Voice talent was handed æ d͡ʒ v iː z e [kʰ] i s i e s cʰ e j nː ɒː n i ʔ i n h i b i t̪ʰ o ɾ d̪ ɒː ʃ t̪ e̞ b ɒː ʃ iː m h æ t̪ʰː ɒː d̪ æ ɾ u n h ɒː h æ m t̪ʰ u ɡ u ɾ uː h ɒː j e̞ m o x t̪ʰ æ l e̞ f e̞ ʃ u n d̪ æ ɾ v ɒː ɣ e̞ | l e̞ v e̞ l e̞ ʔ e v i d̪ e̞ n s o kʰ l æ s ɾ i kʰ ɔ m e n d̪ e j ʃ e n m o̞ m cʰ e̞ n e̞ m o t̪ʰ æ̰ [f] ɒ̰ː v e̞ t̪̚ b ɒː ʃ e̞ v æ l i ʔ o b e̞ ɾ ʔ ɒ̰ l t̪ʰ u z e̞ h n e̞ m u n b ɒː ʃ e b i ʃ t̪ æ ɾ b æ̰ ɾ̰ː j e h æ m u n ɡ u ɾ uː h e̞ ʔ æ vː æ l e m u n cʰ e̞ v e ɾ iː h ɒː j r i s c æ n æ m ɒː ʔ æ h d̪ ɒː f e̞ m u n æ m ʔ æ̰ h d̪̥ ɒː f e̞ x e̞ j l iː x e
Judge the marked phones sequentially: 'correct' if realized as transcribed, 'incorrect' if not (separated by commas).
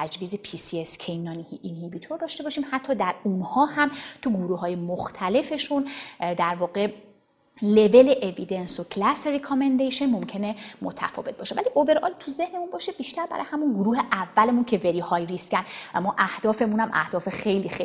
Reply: incorrect, correct